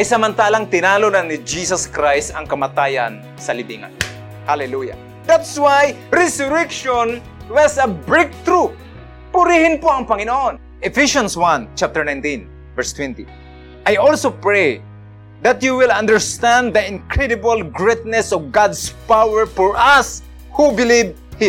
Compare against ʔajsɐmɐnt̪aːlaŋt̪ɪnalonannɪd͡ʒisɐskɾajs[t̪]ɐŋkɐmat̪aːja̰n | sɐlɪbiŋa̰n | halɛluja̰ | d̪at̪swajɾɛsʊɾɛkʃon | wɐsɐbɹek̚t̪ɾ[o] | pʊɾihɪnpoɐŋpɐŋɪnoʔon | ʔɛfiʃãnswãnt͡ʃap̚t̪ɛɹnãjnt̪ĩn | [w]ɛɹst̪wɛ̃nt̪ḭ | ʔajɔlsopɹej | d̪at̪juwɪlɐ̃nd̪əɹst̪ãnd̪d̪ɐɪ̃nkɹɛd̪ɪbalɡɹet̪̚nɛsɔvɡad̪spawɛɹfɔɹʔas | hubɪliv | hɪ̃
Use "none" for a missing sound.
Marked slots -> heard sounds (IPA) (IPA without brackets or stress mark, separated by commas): t̪, u, v